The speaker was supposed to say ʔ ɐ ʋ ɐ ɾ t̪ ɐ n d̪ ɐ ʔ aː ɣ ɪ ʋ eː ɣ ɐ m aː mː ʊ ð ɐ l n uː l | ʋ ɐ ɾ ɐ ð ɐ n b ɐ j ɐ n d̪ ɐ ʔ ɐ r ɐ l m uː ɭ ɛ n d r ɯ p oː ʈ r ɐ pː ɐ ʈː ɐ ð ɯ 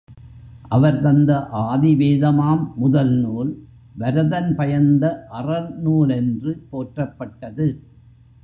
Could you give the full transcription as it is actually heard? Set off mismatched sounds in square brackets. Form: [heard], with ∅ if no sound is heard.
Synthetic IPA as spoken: ʔ ɐ ʋ ɐ ɾ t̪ ɐ n d̪ ɐ ʔ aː [ð] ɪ ʋ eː [ð] ɐ m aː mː ʊ ð ɐ l n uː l | ʋ ɐ ɾ ɐ ð ɐ n [p] ɐ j ɐ n d̪ ɐ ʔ ɐ r ɐ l [n] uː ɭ ɛ n d r ɯ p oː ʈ r ɐ pː ɐ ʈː ɐ ð ɯ